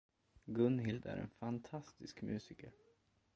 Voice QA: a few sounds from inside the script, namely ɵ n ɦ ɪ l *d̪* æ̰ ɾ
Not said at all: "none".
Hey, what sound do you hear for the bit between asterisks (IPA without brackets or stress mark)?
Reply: d̪